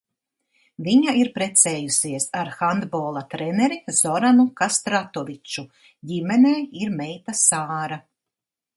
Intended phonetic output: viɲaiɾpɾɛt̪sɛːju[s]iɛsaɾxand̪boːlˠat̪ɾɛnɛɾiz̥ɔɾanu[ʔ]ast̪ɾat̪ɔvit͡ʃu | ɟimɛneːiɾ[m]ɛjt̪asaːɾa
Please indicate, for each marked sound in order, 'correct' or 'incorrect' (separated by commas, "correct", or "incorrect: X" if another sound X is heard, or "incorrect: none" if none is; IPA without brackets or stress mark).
correct, incorrect: k, correct